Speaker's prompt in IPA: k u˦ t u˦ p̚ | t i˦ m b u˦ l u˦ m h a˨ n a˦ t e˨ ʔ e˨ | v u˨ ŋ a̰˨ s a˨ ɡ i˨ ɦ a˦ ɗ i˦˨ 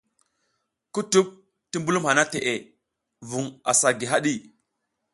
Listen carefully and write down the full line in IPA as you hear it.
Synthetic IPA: k u˦ t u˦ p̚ | t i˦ m b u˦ l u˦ m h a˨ n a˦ t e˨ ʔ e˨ | v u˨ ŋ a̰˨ s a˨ ɡ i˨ ɦ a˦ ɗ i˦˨